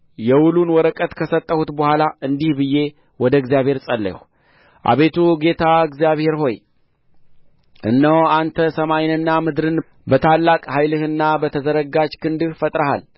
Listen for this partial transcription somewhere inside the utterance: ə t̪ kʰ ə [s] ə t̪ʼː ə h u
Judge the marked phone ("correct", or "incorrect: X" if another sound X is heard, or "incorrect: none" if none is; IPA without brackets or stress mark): correct